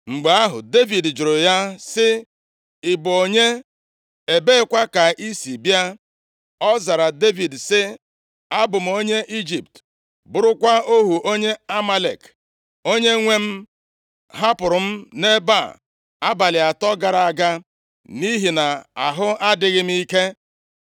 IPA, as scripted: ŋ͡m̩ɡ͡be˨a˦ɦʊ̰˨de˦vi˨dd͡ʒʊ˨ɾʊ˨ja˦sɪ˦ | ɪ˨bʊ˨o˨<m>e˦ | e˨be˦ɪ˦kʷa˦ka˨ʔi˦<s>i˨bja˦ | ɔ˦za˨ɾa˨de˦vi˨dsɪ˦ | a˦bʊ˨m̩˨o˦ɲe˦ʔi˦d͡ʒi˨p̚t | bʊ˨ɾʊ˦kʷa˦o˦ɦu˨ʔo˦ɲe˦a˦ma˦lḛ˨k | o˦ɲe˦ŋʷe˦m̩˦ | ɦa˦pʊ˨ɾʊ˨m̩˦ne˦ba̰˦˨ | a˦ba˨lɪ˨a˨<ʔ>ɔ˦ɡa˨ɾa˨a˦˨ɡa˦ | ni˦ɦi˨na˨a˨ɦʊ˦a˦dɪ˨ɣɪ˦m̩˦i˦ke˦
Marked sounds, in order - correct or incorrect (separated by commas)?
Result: incorrect, correct, incorrect